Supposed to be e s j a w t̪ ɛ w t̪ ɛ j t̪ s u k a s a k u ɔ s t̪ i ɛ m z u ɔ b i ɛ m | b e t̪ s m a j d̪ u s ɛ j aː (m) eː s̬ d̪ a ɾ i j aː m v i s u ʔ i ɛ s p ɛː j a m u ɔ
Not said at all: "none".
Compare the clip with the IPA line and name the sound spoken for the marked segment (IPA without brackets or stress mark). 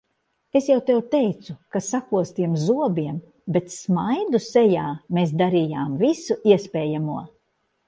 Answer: m